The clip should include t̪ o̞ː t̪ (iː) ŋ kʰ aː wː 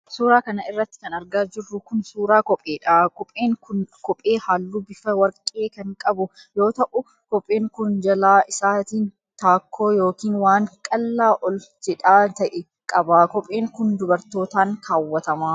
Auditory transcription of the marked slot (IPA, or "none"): aː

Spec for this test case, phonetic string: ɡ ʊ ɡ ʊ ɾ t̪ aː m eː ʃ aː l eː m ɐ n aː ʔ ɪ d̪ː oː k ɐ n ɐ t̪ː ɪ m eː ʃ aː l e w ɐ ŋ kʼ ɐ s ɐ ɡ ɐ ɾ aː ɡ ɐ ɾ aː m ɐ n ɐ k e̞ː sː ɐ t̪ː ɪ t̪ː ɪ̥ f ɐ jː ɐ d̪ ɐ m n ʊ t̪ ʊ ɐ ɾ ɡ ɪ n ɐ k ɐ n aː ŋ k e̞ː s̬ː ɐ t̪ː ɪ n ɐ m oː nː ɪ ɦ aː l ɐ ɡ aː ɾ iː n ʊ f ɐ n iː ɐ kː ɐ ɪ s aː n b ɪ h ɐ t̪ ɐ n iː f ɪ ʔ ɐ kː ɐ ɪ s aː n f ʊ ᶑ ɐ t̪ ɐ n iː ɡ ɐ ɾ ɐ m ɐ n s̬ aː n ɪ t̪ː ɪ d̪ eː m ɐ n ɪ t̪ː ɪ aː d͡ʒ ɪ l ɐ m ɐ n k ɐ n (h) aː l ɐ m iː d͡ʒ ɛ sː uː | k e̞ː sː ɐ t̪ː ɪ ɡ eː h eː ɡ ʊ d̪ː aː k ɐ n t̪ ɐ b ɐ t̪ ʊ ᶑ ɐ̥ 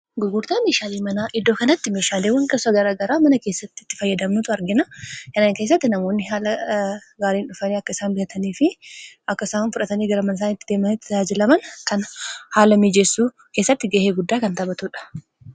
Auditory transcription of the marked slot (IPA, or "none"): h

